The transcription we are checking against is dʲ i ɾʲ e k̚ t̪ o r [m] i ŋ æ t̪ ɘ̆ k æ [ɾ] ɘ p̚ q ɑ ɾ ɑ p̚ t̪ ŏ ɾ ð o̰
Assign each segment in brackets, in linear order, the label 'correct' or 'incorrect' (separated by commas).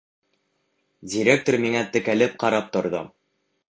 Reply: correct, incorrect